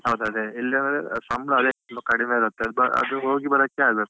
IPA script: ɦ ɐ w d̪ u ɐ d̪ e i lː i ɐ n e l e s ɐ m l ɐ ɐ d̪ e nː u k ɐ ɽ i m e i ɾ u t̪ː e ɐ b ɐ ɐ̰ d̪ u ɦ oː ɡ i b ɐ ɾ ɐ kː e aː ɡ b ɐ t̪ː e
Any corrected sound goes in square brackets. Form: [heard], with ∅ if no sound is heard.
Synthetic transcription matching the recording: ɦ ɐ w d̪ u ɐ d̪ e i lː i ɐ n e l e s ɐ m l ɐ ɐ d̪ e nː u k ɐ ɽ i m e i ɾ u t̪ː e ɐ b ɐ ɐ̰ d̪ u ɦ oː ɡ i b ɐ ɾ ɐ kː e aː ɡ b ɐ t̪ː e